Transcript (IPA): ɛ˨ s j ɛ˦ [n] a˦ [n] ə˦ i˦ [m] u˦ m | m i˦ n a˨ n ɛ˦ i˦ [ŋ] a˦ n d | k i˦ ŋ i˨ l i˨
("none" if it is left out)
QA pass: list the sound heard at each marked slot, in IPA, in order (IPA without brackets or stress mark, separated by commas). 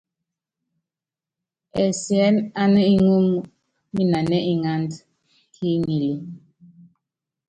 n, n, ŋ, ŋ